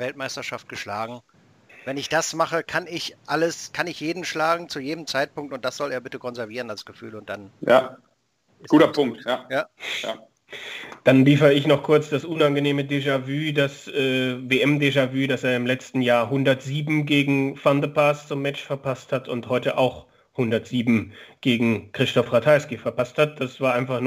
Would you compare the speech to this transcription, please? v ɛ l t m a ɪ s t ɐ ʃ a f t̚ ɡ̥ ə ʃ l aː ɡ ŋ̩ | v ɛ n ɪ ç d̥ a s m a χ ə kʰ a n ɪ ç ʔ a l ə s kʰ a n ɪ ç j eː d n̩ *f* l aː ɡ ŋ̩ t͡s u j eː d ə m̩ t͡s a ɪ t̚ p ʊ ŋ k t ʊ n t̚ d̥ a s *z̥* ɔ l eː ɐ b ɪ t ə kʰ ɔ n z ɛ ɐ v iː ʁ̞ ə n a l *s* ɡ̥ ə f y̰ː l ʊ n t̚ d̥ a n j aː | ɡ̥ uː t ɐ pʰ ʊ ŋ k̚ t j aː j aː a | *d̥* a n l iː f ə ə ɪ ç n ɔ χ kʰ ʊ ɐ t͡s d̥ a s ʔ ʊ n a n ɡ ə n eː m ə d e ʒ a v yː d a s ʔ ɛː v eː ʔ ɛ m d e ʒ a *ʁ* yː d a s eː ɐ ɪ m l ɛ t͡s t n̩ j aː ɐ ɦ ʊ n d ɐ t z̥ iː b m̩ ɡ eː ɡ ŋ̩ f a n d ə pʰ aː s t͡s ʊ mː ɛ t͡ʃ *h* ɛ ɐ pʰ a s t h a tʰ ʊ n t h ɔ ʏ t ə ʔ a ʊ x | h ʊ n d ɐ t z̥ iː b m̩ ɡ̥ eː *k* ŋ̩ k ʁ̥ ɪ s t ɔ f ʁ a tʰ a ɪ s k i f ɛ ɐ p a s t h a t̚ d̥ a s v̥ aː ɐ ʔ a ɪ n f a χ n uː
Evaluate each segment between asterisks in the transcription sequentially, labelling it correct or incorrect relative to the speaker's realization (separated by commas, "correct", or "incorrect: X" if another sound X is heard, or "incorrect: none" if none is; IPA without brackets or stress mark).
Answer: incorrect: ʃ, correct, correct, correct, incorrect: v, incorrect: f, incorrect: ɡ